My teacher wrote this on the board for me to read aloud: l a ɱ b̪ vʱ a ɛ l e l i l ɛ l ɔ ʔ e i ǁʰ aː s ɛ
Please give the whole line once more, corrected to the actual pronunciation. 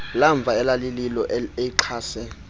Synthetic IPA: l a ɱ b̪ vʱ a ɛ l a l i l i l ɔ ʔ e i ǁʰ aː s ɛ